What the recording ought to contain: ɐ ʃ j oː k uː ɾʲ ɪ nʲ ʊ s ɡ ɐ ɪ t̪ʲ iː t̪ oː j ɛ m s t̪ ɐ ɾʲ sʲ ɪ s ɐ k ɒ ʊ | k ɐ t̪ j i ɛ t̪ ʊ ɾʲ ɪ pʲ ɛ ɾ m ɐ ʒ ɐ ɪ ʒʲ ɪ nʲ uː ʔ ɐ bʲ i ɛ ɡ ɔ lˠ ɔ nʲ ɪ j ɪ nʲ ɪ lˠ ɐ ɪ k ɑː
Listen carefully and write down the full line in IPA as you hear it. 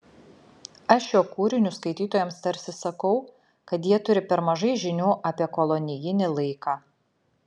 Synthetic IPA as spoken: ɐ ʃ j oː k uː ɾʲ ɪ nʲ ʊ s k ɐ ɪ t̪ʲ iː t̪ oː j ɛ m s t̪ ɐ ɾʲ sʲ ɪ s ɐ k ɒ ʊ | k ɐ t̪ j i ɛ t̪ ʊ ɾʲ ɪ pʲ ɛ ɾ m ɐ ʒ ɐ ɪ ʒʲ ɪ nʲ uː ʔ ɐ pʲ i ɛ k ɔ lˠ ɔ nʲ ɪ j ɪ nʲ ɪ lˠ ɐ ɪ k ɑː

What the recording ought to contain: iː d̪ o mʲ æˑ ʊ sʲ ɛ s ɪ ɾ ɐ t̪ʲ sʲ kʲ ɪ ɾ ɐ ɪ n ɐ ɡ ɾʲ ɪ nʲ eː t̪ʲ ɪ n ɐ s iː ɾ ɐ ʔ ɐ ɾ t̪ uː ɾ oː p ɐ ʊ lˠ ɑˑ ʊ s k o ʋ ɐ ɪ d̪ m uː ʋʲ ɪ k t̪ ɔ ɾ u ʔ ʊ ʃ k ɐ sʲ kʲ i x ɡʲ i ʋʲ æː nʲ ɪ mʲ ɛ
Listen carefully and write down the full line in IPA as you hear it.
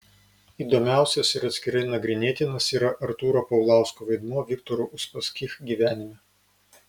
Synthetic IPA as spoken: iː d̪ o mʲ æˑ ʊ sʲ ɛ s ɪ ɾ ɐ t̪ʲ sʲ kʲ ɪ ɾ ɐ ɪ n ɐ ɡ ɾʲ ɪ nʲ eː t̪ʲ ɪ n ɐ s iː ɾ ɐ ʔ ɐ ɾ t̪ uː ɾ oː p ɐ ʊ lˠ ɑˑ ʊ s k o ʋ ɐ ɪ d̪ m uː ʋʲ ɪ k t̪ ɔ ɾ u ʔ ʊ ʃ p ɐ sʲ kʲ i x ɡʲ i ʋʲ æː nʲ ɪ mʲ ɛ

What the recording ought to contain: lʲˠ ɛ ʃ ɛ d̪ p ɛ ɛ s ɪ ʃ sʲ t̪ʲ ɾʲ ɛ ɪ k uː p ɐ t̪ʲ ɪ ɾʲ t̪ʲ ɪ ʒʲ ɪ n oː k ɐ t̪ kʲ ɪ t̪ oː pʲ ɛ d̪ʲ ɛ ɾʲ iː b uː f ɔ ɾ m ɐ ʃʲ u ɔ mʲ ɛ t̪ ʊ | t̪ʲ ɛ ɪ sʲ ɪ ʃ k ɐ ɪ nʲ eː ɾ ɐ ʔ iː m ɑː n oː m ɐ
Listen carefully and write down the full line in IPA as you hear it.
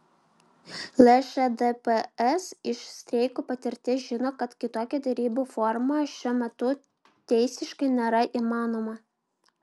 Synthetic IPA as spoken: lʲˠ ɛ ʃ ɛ d̪ p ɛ ɛ s ɪ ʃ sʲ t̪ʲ ɾʲ ɛ ɪ k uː p ɐ t̪ʲ ɪ ɾʲ t̪ʲ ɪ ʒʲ ɪ n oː k ɐ t̪ kʲ ɪ t̪ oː kʲ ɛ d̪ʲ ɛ ɾʲ iː b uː f ɔ ɾ m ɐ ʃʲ u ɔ mʲ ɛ t̪ ʊ | t̪ʲ ɛ ɪ sʲ ɪ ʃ k ɐ ɪ nʲ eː ɾ ɐ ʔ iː m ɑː n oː m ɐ

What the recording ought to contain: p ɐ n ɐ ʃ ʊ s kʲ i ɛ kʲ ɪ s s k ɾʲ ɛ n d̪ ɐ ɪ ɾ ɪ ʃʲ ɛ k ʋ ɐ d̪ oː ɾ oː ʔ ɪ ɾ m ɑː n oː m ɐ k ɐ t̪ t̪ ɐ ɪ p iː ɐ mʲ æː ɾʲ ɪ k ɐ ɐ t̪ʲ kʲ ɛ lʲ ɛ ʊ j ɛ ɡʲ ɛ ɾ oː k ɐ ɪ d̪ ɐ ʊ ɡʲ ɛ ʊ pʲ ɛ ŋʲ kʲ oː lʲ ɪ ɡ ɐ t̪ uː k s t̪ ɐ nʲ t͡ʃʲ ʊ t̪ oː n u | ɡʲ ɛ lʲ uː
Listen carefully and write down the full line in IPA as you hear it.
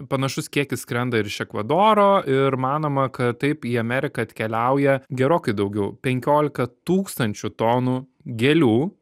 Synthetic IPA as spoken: p ɐ n ɐ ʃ ʊ s kʲ i ɛ kʲ ɪ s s k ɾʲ ɛ n d̪ ɐ ɪ ɾ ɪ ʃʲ ɛ k ʋ ɐ d̪ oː ɾ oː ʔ ɪ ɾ m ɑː n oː m ɐ k ɐ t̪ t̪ ɐ ɪ p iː ɐ mʲ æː ɾʲ ɪ k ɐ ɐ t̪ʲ kʲ ɛ lʲ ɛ ʊ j ɛ ɡʲ ɛ ɾ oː k ɐ ɪ d̪ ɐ ʊ ɡʲ ɛ ʊ pʲ ɛ ŋʲ kʲ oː lʲ ɪ k ɐ t̪ uː k s t̪ ɐ nʲ t͡ʃʲ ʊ t̪ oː n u | ɡʲ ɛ lʲ uː

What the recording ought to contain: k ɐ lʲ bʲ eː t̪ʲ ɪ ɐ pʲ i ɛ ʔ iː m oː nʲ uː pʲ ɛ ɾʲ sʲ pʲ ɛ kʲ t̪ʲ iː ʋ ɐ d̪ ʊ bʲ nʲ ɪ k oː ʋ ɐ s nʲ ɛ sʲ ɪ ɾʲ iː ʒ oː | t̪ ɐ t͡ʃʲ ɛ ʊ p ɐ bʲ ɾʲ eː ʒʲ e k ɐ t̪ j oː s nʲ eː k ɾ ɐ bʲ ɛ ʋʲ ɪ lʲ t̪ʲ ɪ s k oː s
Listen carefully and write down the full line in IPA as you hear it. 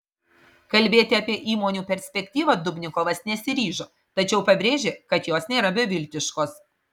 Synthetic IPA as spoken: k ɐ lʲ bʲ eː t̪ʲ ɪ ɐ pʲ i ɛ ʔ iː m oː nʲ uː pʲ ɛ ɾʲ sʲ pʲ ɛ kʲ t̪ʲ iː ʋ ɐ d̪ ʊ bʲ nʲ ɪ k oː ʋ ɐ s nʲ ɛ sʲ ɪ ɾʲ iː ʒ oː | t̪ ɐ t͡ʃʲ ɛ ʊ p ɐ bʲ ɾʲ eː ʒʲ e k ɐ t̪ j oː s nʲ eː ɾ ɐ bʲ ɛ ʋʲ ɪ lʲ t̪ʲ ɪ ʃ k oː s

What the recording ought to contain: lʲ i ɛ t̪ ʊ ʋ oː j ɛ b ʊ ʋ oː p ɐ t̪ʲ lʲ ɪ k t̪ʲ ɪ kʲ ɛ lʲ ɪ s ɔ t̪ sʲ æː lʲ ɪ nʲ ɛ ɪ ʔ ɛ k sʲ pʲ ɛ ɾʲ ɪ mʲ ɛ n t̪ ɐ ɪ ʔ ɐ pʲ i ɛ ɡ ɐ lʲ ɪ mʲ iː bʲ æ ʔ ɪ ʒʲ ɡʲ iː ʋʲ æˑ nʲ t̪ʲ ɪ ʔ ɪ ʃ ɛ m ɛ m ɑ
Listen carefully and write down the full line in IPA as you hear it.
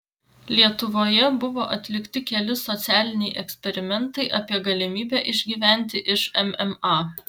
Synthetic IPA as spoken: lʲ i ɛ t̪ ʊ ʋ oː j ɛ b ʊ ʋ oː ʔ ɐ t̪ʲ lʲ ɪ k t̪ʲ ɪ kʲ ɛ lʲ ɪ s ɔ t̪ sʲ æː lʲ ɪ nʲ ɛ ɪ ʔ ɛ k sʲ pʲ ɛ ɾʲ ɪ mʲ ɛ n t̪ ɐ ɪ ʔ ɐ pʲ i ɛ ɡ ɐ lʲ ɪ mʲ iː bʲ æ ʔ ɪ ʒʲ ɡʲ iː ʋʲ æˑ nʲ t̪ʲ ɪ ʔ ɪ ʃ ɛ m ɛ m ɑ

